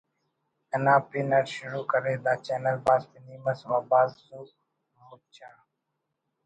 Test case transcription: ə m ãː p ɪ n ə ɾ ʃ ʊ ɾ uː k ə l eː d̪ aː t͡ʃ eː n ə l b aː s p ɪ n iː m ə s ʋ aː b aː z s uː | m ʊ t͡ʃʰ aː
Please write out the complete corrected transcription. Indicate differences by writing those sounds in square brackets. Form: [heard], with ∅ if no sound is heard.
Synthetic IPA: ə [n] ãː p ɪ n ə ɾ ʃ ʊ ɾ uː k ə [ɾ] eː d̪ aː t͡ʃ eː n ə l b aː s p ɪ n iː m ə s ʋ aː b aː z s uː | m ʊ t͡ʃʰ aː